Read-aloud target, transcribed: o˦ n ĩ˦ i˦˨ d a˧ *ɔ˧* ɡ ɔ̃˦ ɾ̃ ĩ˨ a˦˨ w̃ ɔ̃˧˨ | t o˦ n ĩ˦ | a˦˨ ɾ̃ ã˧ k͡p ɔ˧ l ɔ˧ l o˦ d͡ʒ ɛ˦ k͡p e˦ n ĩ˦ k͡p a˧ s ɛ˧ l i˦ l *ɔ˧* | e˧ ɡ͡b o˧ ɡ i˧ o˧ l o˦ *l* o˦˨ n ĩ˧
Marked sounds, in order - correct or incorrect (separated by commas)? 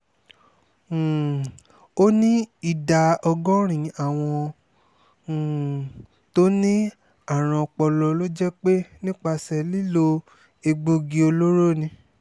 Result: correct, incorrect, incorrect